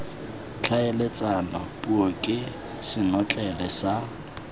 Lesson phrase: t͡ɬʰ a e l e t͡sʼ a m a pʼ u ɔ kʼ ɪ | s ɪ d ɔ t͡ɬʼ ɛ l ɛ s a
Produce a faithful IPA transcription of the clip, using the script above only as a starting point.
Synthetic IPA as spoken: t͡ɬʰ a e l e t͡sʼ a n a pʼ u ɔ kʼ ɪ | s ɪ n ɔ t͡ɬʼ ɛ l ɛ s a